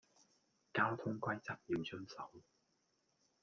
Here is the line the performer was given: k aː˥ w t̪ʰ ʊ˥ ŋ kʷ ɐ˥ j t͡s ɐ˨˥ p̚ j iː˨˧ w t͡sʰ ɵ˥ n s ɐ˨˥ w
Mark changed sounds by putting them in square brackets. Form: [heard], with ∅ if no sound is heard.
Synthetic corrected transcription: k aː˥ w t̪ʰ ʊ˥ ŋ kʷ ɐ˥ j t͡s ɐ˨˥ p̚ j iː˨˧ w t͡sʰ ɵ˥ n s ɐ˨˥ w